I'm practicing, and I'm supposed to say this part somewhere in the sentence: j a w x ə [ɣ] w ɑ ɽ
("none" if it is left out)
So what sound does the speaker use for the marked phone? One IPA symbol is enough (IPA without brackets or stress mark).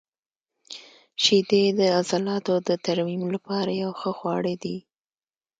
x